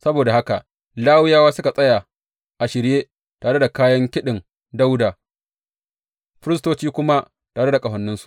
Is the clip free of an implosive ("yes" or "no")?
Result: no